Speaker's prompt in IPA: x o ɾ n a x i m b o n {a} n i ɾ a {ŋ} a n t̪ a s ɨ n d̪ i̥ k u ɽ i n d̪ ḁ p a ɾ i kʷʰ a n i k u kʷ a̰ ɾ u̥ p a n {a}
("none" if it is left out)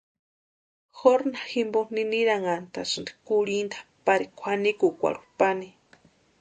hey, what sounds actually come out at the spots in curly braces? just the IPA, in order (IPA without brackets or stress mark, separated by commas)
i, ŋ, i